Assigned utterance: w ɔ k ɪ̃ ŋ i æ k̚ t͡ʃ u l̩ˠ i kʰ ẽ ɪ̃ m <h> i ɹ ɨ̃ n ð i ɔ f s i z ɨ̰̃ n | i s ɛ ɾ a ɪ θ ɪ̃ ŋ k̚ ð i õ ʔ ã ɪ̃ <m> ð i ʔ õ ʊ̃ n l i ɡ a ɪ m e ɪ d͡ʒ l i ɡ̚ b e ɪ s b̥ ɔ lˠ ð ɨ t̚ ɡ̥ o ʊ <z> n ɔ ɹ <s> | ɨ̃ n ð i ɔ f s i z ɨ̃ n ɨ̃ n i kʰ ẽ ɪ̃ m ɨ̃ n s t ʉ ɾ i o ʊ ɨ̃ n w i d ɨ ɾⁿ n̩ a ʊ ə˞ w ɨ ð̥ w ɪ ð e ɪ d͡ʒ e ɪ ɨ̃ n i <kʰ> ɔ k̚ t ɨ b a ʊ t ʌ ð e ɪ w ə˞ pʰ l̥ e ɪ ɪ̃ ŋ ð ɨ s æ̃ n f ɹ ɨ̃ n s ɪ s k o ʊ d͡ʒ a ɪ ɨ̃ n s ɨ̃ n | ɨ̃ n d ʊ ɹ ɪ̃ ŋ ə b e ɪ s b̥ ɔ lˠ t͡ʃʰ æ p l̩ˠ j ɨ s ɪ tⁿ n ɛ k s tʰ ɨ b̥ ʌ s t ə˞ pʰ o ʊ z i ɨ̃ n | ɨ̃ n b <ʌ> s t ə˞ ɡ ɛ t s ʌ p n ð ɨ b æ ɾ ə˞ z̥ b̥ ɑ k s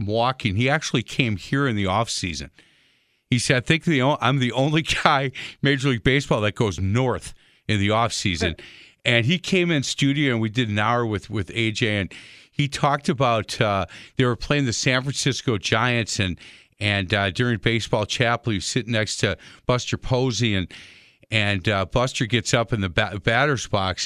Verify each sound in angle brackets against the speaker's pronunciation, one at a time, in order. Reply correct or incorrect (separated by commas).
correct, correct, correct, incorrect, incorrect, correct